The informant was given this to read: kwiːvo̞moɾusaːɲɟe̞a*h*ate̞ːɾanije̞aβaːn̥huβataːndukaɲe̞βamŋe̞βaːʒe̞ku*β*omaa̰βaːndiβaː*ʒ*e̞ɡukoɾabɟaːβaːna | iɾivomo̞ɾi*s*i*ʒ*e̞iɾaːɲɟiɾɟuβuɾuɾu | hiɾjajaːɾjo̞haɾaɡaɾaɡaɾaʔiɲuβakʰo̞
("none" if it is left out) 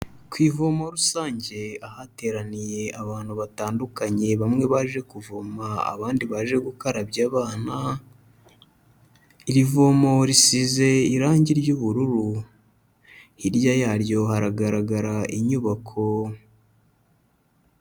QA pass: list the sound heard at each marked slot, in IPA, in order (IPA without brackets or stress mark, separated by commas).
h, v, ʒ, s, z